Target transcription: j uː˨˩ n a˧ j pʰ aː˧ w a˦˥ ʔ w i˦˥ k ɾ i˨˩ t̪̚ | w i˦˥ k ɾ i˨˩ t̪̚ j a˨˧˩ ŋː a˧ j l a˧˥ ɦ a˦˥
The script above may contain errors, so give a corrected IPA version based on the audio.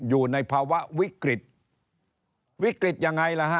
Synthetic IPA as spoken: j uː˨˩ n a˧ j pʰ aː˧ w a˦˥ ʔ w i˦˥ k ɾ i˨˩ t̪̚ | w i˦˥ k ɾ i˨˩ t̪̚ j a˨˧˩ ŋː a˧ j l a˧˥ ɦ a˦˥